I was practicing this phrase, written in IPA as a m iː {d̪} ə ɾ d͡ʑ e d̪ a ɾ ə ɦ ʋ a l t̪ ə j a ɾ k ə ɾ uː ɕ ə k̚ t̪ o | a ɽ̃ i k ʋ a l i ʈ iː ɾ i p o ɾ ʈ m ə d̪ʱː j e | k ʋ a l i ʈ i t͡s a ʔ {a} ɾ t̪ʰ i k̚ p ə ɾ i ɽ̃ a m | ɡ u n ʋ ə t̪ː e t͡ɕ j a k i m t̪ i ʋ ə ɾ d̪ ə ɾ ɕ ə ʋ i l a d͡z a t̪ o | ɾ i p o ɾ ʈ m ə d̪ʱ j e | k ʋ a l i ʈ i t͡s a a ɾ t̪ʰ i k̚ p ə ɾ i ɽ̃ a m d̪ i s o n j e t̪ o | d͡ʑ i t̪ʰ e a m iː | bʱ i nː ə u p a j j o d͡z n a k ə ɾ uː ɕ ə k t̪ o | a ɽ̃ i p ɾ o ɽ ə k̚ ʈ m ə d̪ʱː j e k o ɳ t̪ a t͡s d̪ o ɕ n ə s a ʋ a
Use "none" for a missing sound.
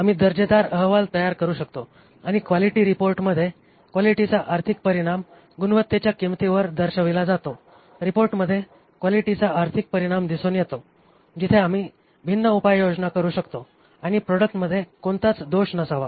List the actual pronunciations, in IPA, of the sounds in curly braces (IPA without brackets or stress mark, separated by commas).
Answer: d̪, a